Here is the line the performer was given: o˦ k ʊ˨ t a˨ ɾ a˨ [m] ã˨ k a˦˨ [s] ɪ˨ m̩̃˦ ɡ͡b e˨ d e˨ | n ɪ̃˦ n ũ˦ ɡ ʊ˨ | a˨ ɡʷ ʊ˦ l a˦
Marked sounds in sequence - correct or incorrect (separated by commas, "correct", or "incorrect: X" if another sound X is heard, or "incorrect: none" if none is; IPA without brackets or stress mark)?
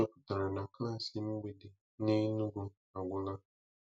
incorrect: n, correct